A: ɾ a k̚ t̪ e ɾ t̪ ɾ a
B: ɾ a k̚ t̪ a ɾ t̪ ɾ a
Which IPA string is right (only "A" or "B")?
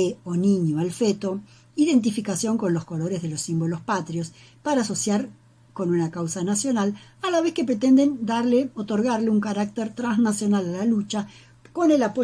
A